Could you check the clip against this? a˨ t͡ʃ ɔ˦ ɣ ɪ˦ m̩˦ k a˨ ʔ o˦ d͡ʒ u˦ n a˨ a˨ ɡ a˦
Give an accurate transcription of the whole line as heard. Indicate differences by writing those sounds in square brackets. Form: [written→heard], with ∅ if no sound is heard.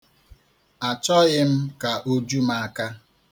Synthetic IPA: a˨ t͡ʃ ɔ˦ ɣ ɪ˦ m̩˦ k a˨ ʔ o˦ d͡ʒ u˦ [n→m] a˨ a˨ [ɡ→k] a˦